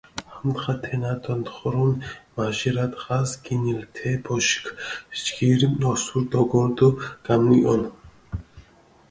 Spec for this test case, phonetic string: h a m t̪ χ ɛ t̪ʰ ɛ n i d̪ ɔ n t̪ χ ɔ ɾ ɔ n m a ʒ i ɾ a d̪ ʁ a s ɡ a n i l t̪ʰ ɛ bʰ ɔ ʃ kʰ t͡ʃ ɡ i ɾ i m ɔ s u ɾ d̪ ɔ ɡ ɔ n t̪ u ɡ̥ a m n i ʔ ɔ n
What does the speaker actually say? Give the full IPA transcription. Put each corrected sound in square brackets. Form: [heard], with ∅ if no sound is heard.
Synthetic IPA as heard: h a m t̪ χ [a] t̪ʰ ɛ n [a] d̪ ɔ n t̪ χ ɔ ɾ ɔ n m a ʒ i ɾ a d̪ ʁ a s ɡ [i] n i l t̪ʰ ɛ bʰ ɔ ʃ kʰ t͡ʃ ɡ i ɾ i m ɔ s u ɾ d̪ ɔ ɡ ɔ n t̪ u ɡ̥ a m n i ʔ ɔ n